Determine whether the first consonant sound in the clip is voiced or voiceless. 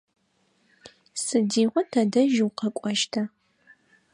voiceless